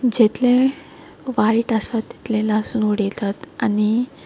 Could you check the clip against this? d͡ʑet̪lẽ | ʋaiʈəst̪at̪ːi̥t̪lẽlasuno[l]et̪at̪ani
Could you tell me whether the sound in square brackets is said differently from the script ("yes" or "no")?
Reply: yes